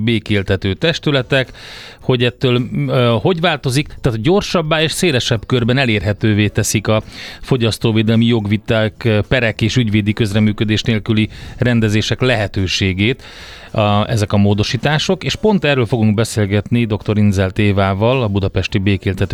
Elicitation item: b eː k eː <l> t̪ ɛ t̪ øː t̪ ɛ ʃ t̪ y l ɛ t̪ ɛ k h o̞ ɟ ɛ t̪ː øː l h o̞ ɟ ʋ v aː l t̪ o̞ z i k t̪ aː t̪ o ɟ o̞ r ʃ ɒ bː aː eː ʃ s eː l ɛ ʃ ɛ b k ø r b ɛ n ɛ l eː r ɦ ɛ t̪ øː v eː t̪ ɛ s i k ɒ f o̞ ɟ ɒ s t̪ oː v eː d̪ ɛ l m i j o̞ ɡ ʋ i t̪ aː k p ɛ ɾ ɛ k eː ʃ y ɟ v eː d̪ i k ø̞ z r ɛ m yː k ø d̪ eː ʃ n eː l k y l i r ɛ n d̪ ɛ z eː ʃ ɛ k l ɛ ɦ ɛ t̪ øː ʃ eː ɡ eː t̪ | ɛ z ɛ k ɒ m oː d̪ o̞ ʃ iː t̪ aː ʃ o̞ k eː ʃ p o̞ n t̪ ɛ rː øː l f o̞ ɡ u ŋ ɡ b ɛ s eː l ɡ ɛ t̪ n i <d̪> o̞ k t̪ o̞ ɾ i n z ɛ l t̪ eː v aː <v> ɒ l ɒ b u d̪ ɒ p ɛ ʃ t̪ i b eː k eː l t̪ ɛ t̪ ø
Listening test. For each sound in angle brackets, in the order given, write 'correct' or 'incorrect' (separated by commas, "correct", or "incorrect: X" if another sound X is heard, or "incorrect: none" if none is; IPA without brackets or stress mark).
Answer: correct, correct, correct